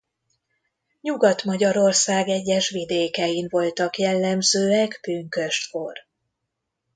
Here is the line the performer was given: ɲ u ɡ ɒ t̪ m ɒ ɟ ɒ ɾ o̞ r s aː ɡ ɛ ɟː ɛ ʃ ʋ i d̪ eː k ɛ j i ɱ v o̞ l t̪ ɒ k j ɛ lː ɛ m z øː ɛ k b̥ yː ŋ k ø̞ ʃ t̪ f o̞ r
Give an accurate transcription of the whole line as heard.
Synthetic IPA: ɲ u ɡ ɒ t̪ m ɒ ɟ ɒ ɾ o̞ r s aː ɡ ɛ ɟː ɛ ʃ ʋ i d̪ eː k ɛ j i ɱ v o̞ l t̪ ɒ k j ɛ lː ɛ m z øː ɛ k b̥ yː ŋ k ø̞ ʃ t̪ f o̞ r